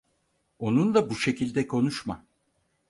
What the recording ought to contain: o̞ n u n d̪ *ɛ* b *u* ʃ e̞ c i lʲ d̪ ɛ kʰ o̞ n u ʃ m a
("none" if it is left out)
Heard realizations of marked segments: a, u

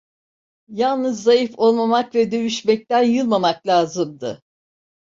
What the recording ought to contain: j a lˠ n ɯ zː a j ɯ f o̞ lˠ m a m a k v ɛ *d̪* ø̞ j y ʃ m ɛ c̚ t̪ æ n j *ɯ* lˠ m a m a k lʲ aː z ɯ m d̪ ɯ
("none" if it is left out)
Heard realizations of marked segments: d̪, ɯ

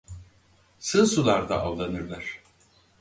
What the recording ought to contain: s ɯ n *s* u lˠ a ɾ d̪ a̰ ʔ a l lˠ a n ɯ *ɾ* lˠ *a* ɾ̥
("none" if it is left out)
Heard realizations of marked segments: s, ɾ, a

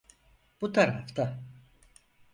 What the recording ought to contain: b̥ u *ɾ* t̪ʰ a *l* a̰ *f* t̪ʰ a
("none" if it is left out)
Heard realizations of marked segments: none, ɾ, f

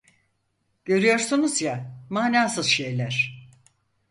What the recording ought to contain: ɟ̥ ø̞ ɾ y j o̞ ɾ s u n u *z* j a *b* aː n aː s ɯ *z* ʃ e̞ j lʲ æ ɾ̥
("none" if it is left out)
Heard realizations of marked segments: z, m, z

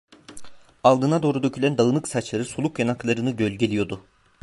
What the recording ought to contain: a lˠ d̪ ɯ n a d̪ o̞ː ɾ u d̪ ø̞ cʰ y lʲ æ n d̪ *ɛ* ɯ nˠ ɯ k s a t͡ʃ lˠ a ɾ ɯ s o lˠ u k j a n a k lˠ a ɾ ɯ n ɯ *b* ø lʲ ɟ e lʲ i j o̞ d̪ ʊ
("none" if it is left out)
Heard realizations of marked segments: a, ɟ

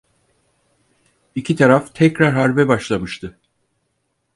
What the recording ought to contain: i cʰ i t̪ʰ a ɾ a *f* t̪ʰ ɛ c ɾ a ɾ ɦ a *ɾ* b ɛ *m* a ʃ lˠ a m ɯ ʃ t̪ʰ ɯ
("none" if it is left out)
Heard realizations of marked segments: f, ɾ, b

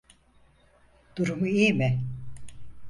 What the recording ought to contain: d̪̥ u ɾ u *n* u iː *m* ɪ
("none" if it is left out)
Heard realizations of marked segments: m, m

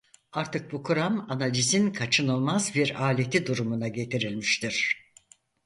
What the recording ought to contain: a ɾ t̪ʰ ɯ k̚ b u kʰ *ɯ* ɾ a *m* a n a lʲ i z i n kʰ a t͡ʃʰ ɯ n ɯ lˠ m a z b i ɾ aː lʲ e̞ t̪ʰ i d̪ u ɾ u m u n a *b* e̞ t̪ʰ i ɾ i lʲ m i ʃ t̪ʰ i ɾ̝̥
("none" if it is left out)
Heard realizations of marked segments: u, m, ɟ

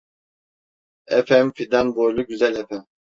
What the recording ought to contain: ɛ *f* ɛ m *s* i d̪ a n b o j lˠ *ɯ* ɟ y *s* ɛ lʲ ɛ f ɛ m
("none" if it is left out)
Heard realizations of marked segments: f, f, u, z

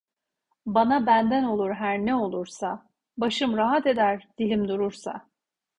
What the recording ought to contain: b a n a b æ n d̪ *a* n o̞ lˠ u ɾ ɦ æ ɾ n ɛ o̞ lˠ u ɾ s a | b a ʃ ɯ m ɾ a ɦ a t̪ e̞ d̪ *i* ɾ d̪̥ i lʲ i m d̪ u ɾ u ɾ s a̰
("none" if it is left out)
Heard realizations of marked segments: æ, æ

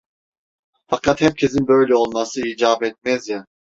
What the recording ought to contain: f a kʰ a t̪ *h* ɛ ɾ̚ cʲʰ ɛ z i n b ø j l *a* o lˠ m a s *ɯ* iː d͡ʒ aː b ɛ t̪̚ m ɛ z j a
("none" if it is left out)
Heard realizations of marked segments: h, ɛ, ɯ

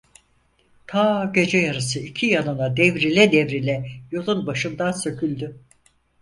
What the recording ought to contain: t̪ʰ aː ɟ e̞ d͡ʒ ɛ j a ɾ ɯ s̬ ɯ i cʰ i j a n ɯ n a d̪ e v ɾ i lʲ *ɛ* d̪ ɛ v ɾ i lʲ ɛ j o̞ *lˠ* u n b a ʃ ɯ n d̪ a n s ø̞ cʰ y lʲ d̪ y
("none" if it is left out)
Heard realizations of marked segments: ɛ, lˠ

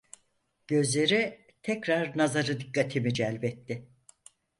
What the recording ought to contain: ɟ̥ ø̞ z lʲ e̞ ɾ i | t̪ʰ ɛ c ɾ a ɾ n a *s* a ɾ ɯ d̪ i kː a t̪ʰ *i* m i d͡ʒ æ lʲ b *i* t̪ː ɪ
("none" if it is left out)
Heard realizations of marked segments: z, i, ɛ

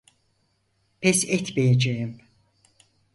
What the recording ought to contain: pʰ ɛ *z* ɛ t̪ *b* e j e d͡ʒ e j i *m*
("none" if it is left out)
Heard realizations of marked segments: s, m, m

